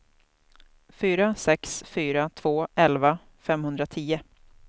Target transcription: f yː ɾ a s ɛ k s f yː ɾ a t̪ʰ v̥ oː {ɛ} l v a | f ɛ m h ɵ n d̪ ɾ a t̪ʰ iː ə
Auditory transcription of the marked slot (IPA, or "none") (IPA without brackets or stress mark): ɛ